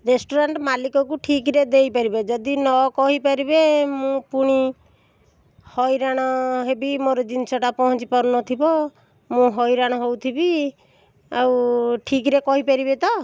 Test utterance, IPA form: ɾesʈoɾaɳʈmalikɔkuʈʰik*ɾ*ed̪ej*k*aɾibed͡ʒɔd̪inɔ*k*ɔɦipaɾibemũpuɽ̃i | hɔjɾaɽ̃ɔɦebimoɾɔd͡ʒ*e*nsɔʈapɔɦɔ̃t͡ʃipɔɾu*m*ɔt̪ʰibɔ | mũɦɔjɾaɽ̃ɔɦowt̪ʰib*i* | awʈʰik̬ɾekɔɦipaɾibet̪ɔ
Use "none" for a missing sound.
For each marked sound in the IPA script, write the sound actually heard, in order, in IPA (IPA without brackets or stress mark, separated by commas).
ɾ, p, k, i, n, i